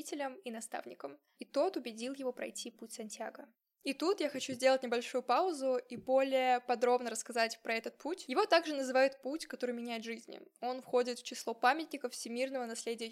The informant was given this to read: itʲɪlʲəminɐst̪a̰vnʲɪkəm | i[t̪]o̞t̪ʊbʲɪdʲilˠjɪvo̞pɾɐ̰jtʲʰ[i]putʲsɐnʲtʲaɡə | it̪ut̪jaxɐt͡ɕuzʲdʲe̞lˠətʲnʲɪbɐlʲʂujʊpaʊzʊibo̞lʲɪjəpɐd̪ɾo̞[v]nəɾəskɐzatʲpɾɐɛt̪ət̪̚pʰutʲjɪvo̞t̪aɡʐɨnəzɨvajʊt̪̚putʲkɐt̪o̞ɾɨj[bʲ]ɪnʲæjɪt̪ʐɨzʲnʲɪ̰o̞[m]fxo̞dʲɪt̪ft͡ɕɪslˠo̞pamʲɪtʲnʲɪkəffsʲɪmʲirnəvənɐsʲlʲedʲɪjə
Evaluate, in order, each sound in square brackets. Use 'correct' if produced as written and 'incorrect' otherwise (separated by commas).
correct, correct, incorrect, incorrect, incorrect